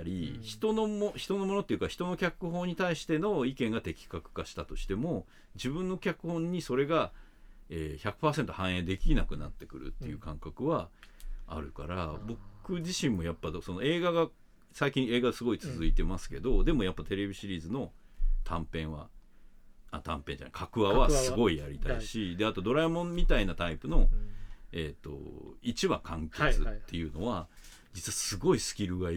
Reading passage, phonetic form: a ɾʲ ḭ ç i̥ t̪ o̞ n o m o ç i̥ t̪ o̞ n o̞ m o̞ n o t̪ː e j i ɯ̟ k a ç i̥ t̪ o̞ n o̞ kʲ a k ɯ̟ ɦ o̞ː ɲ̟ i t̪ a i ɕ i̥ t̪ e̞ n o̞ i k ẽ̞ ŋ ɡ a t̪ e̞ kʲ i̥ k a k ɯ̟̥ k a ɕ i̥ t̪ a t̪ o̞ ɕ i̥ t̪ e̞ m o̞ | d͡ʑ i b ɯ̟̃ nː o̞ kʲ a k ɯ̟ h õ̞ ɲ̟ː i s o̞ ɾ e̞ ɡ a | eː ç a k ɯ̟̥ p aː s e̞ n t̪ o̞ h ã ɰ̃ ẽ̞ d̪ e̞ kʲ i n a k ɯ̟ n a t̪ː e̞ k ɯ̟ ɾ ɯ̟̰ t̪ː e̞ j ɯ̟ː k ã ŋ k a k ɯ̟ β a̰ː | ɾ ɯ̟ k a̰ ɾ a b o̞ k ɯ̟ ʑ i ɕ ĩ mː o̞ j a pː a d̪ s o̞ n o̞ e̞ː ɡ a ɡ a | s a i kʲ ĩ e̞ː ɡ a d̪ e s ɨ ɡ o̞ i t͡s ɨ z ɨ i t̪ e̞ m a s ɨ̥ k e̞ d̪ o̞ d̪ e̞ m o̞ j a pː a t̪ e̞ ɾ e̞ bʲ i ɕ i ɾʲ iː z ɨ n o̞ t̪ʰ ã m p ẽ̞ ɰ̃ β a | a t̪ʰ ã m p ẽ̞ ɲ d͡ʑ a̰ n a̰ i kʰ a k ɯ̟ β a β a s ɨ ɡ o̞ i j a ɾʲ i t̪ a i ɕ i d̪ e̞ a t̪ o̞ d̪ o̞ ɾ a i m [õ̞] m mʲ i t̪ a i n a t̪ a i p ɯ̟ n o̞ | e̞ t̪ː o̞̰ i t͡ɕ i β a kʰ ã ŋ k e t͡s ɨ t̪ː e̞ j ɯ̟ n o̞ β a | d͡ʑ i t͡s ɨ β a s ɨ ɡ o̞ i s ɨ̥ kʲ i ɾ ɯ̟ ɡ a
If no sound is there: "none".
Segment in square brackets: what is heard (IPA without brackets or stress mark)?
õ̞